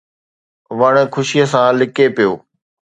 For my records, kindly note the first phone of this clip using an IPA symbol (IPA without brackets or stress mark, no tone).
ʋ